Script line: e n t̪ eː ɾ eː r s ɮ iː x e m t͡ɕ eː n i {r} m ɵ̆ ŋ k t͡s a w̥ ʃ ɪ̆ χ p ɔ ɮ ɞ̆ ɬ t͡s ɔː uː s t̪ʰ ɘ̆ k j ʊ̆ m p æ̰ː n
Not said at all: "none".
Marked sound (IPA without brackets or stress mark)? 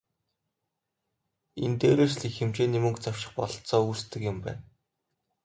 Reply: none